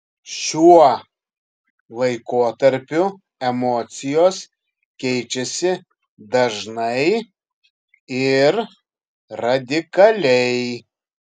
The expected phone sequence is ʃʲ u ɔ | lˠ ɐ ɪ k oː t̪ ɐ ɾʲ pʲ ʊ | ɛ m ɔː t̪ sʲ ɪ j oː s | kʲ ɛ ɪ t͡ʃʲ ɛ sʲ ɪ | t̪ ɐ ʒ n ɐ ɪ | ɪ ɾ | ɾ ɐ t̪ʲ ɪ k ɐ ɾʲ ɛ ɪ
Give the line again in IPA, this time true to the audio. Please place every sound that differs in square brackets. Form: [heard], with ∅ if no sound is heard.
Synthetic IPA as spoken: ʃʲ u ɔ | lˠ ɐ ɪ k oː t̪ ɐ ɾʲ pʲ ʊ | ɛ m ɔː t̪ sʲ ɪ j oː s | kʲ ɛ ɪ t͡ʃʲ ɛ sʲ ɪ | [d̪] ɐ ʒ n ɐ ɪ | ɪ ɾ | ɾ ɐ [d̪ʲ] ɪ k ɐ [lʲ] ɛ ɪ